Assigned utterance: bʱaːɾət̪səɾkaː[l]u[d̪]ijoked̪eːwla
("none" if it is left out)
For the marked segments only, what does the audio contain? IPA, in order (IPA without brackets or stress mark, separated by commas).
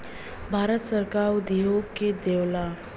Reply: ɾ, d̪